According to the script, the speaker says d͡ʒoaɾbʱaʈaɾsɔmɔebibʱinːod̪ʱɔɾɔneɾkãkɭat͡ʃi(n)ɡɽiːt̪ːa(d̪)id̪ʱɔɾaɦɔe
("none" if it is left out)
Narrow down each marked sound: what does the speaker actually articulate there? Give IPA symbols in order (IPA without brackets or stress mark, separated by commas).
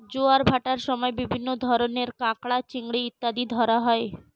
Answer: ŋ, d̪